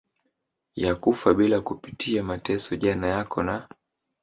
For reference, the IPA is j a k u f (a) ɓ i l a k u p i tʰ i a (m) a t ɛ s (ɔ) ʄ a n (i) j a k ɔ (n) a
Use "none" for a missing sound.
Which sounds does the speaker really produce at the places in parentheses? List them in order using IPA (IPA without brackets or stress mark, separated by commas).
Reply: a, m, ɔ, a, n